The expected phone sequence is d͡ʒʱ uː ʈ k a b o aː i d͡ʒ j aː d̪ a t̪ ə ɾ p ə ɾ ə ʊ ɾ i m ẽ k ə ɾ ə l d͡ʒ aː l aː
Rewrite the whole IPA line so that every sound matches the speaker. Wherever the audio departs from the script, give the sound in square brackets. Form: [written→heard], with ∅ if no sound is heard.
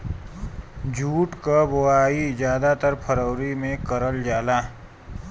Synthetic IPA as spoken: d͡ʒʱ uː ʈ k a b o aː i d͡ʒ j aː d̪ a t̪ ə ɾ [p→pʰ] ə ɾ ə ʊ ɾ i m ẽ k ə ɾ ə l d͡ʒ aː l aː